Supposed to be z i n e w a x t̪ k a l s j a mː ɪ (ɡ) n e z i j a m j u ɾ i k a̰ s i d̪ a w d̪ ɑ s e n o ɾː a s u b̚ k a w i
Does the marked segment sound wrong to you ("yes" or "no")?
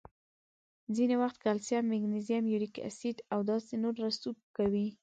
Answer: no